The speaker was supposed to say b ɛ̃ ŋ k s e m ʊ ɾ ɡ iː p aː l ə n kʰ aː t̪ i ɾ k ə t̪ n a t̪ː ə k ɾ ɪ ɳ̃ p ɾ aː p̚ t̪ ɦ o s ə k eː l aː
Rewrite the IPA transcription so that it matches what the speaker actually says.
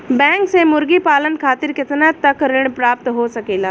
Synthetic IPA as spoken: b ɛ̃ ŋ k s e m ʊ ɾ ɡ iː p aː l ə n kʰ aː t̪ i ɾ k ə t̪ n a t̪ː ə k ɾ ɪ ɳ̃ p ɾ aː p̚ t̪ ɦ o s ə k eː l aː